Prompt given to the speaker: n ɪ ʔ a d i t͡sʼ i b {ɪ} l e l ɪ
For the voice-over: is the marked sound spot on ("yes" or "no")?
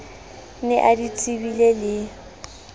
no